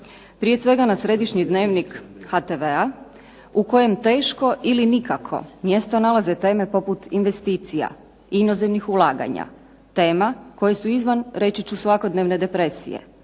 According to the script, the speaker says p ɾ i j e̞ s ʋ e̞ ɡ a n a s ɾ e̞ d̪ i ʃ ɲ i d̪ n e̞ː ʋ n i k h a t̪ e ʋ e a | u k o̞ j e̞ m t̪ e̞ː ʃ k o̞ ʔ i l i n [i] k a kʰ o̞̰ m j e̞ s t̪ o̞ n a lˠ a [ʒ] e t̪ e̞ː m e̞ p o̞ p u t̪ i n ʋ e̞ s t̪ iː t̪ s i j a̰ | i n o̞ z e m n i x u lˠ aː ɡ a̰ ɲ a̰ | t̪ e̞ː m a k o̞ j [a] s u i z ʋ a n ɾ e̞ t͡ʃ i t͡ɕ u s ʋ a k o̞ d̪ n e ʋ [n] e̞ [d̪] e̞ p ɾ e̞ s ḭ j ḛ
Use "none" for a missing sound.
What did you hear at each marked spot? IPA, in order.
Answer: i, z, e, n, d̪

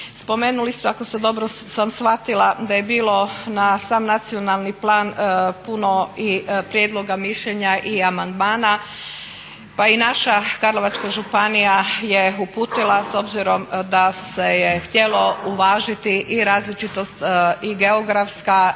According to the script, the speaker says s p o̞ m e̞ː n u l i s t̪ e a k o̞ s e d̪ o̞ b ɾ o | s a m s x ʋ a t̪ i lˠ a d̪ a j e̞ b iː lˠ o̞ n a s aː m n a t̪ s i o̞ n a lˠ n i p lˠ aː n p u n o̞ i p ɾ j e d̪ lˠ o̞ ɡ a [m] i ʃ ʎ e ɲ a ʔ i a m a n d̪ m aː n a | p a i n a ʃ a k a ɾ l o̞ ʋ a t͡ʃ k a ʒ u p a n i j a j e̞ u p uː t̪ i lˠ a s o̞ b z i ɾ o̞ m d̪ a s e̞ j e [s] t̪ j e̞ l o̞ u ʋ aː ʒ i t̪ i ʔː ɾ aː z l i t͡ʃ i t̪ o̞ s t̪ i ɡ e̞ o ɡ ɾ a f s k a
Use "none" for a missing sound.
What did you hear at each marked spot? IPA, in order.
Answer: m, x

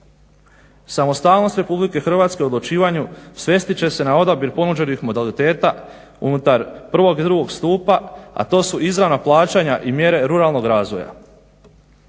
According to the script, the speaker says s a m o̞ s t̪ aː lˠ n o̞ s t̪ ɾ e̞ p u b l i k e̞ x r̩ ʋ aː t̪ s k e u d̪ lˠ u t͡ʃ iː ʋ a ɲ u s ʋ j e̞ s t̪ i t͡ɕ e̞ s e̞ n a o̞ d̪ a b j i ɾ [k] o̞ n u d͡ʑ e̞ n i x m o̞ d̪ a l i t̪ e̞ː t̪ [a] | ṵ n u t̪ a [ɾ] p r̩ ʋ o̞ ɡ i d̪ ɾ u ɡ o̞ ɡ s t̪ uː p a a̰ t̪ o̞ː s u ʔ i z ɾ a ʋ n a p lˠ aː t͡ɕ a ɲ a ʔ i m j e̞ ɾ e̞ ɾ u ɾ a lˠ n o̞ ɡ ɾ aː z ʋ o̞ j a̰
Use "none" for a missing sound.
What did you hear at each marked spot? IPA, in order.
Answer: p, a, ɾ

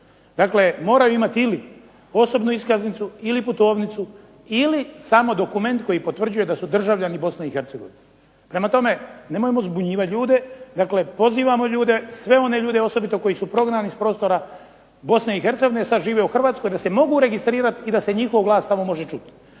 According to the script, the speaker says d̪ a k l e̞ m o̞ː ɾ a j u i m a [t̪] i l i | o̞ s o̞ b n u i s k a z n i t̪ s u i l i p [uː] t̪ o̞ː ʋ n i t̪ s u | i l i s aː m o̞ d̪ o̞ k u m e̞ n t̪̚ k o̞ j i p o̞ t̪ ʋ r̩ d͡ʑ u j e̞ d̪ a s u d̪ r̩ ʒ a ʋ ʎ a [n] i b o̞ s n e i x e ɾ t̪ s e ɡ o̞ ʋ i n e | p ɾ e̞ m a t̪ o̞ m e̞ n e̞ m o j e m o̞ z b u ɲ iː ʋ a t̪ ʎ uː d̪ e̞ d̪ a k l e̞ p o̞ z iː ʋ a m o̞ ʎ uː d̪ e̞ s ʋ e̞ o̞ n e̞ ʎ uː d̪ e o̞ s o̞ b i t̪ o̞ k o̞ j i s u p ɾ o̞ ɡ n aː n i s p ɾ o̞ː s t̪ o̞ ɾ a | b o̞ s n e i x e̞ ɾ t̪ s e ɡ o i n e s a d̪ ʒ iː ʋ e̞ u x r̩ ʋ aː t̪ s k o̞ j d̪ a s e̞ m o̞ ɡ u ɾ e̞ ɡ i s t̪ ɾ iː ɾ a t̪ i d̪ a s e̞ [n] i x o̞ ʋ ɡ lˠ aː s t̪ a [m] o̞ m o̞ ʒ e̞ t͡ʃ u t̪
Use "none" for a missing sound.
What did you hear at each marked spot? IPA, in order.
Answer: t̪, u, n, ɲ, m

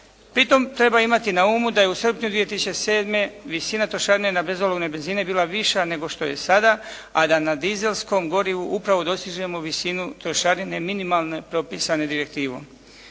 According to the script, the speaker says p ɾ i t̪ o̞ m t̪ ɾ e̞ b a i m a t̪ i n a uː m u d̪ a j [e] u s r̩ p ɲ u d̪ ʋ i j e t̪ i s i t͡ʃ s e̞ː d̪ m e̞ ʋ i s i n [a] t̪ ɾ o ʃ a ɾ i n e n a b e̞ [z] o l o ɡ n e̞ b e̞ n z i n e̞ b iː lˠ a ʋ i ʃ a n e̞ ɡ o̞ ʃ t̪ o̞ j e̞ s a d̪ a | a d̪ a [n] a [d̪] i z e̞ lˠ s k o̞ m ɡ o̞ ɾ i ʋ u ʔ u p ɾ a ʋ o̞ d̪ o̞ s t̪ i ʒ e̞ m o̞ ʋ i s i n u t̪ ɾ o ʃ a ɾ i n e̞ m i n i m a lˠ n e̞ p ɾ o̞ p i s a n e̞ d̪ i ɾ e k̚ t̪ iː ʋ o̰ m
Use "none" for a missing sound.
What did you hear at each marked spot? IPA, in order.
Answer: e, a, z, n, d̪

